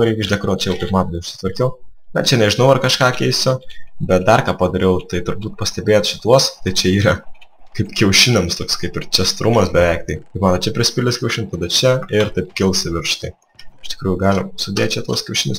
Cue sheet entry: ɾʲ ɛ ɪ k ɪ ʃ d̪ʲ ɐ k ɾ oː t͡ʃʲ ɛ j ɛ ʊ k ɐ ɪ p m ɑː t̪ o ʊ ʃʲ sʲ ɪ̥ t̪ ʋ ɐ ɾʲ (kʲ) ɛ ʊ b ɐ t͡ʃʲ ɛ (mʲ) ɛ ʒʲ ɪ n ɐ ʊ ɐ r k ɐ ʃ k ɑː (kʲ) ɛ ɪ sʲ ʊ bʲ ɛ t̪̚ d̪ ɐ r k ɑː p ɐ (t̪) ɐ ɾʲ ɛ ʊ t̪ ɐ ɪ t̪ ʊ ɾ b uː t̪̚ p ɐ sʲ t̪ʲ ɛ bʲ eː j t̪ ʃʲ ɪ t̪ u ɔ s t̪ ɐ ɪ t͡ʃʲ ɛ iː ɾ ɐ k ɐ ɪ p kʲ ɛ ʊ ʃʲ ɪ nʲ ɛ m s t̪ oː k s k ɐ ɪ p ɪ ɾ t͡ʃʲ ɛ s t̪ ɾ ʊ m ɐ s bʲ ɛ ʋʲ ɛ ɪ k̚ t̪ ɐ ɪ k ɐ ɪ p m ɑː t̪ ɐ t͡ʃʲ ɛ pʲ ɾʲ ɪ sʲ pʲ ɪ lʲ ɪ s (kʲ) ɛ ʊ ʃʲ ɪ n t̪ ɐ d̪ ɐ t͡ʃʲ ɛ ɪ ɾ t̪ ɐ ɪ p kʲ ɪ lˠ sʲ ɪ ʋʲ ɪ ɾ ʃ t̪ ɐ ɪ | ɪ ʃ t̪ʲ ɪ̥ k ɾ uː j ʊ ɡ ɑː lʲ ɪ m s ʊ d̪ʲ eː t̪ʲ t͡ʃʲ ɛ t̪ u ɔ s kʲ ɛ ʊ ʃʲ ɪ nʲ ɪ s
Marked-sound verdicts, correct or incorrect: correct, incorrect: nʲ, correct, incorrect: d̪, correct

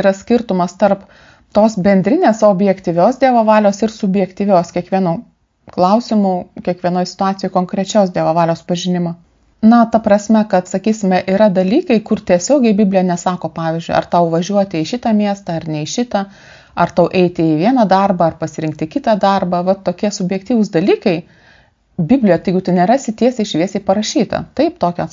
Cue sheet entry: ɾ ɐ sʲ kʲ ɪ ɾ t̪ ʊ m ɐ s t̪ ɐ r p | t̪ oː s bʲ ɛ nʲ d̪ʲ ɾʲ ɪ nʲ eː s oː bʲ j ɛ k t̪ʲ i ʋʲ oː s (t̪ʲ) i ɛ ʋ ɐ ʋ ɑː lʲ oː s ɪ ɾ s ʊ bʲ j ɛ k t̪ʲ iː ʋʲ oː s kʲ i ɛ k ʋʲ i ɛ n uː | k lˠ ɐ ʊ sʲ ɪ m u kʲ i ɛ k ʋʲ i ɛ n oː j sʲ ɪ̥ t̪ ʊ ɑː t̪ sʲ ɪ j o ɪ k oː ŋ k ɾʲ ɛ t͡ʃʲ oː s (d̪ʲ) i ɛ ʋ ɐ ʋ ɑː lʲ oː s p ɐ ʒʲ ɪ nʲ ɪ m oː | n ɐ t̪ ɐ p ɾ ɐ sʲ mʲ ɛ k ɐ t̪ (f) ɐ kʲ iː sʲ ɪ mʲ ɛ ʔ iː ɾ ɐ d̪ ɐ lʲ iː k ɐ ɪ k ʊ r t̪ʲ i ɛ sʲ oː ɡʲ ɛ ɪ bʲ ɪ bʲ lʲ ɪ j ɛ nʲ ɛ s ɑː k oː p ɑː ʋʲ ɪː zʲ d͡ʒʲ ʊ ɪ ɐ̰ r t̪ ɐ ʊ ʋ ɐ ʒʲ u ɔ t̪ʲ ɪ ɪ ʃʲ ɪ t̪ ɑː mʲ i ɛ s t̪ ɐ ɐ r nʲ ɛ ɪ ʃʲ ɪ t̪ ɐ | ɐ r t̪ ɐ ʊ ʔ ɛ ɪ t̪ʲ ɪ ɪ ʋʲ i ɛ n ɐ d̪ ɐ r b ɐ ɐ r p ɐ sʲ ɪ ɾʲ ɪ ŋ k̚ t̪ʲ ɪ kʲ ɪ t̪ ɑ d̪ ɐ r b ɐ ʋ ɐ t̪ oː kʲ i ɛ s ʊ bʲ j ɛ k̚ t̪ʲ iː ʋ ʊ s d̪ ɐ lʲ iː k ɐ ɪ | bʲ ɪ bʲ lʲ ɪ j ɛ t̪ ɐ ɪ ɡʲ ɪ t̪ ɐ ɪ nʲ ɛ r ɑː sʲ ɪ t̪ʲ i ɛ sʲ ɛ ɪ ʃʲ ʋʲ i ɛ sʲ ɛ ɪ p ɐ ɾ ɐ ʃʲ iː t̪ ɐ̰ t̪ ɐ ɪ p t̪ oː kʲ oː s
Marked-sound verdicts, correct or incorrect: incorrect: d̪ʲ, correct, incorrect: s

